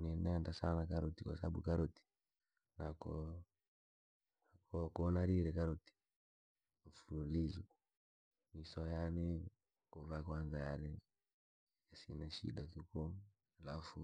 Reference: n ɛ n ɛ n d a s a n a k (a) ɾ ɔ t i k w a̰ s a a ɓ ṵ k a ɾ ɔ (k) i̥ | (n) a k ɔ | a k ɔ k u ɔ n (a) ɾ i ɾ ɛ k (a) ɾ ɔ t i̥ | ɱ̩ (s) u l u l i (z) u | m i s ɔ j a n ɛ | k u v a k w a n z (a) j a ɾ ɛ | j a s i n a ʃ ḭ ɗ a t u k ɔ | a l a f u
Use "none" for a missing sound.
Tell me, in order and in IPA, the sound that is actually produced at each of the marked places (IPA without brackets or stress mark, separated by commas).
a, t, n, a, a, f, z, a